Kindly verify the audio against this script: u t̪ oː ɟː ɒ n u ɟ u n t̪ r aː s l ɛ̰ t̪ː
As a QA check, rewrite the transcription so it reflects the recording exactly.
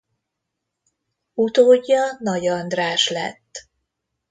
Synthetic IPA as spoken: u t̪ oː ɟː ɒ n ɒ ɟ ɒ n d̪ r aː ʃ l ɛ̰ t̪ː